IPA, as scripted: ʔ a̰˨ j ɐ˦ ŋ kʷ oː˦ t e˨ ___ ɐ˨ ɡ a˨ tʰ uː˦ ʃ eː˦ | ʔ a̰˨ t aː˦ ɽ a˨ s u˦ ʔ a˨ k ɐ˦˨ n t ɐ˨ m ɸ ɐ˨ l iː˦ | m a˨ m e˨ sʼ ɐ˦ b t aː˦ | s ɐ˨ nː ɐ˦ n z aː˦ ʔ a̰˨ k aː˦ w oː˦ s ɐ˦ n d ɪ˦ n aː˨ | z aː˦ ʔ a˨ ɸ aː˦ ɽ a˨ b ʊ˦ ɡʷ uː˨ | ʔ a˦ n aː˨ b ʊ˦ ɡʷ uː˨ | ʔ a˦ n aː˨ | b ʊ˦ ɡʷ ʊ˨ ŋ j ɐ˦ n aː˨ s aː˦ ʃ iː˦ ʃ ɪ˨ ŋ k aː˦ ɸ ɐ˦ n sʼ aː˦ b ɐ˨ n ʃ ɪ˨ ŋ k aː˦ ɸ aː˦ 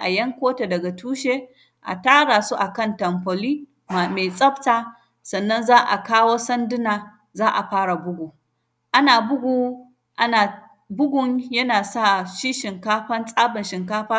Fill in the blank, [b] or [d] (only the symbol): d